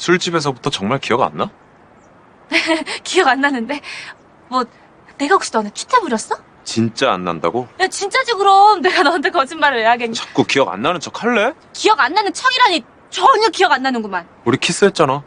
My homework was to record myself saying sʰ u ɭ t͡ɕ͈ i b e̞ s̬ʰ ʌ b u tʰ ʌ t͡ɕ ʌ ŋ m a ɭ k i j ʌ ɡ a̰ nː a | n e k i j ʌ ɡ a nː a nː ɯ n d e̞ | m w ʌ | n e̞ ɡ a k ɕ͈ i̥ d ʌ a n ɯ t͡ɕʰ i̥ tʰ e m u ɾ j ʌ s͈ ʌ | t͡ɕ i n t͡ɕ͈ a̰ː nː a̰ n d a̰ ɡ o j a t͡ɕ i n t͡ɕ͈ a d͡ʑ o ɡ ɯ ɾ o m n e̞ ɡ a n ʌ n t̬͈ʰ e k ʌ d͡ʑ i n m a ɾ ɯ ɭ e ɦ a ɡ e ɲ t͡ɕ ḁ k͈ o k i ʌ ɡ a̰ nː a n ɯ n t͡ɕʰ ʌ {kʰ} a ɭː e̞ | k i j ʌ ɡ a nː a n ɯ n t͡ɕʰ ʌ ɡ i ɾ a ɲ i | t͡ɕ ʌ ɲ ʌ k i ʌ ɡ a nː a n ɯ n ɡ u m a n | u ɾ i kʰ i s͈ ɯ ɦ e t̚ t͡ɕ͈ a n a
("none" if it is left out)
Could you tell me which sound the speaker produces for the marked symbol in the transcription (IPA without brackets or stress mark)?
kʰ